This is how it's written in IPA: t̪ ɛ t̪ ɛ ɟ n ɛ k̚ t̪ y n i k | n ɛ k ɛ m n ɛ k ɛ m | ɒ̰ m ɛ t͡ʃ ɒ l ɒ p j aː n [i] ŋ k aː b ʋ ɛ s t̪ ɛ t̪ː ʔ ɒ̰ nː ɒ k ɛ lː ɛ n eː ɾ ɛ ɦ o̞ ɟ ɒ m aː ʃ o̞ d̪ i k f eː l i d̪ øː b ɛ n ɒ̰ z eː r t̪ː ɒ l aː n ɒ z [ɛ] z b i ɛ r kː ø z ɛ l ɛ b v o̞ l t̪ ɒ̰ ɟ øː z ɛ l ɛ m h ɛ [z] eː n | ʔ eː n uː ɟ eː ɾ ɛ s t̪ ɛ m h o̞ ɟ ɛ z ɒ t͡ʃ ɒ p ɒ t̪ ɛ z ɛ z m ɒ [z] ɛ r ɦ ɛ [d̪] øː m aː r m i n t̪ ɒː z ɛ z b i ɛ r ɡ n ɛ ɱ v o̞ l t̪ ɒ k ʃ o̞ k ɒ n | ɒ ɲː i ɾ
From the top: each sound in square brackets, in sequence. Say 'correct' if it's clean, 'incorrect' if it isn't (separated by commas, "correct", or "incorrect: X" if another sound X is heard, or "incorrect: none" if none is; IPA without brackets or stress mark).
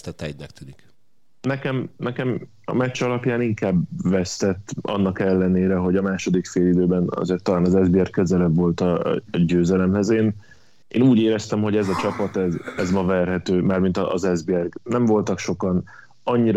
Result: correct, correct, correct, incorrect: v, incorrect: t̪